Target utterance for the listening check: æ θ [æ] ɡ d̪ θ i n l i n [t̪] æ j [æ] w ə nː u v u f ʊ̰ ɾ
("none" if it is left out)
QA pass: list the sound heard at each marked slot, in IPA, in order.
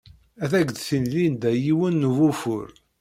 æ, d̪, i

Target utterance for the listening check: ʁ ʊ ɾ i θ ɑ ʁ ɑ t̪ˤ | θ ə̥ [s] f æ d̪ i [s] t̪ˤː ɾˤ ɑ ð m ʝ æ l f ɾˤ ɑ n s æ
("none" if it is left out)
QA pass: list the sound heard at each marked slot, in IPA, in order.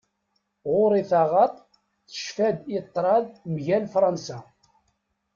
ʃ, none

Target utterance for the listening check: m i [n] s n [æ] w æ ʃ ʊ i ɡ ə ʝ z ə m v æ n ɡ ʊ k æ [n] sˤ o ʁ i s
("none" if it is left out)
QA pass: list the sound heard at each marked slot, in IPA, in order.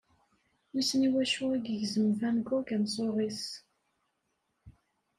none, i, n

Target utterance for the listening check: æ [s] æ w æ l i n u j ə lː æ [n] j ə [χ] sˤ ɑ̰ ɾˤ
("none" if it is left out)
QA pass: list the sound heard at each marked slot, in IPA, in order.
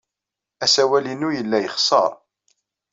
s, none, χ

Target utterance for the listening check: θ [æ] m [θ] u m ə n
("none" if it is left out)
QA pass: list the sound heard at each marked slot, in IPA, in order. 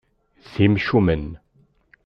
i, ʃ

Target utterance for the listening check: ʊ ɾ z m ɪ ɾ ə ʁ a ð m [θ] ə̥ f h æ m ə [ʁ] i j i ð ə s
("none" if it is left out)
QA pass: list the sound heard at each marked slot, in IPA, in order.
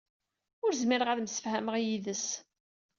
s, ʁ

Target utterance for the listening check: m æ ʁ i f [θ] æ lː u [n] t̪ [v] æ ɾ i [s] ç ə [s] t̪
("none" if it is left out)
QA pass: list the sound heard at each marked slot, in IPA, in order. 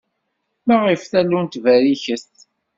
θ, n, v, none, s

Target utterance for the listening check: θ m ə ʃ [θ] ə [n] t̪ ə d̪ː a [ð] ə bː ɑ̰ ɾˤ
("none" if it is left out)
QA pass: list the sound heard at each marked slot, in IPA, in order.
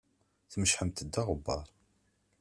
ħ, m, ʁ

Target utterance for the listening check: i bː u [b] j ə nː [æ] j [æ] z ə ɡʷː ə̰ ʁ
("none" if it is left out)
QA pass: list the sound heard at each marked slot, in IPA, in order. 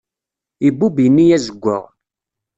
b, i, æ

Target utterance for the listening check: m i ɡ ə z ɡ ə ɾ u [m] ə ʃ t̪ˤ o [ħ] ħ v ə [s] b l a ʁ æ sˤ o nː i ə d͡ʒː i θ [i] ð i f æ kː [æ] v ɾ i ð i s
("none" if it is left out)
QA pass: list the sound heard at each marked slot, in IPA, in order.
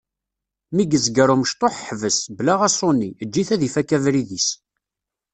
m, ħ, s, æ, æ

